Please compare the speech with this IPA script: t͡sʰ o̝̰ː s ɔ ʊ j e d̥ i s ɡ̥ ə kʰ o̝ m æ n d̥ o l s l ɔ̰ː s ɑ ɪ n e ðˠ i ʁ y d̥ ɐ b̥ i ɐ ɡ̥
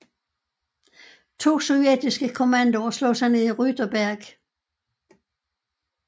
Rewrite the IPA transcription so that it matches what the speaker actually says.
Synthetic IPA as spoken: t͡sʰ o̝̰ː s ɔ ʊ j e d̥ i s ɡ̥ ə kʰ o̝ m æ n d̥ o s l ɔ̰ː s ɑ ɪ n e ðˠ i ʁ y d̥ ɐ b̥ æ ɐ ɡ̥